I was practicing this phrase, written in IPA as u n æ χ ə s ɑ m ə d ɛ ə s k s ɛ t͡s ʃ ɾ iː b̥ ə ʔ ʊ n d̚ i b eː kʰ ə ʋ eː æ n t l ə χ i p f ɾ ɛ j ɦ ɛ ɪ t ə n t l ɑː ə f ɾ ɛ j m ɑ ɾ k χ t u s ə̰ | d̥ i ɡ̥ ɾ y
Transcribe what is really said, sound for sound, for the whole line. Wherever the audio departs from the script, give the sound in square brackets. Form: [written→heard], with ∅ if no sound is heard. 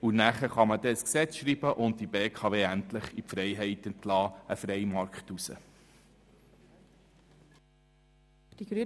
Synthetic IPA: u n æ χ ə [s→χ] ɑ m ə d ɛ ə s k s ɛ t͡s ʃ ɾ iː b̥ ə ʔ ʊ n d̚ i b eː kʰ [ə→ɑ] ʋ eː æ n t l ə χ i p f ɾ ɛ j ɦ ɛ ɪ t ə n t l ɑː ə f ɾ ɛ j m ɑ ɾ k χ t u s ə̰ | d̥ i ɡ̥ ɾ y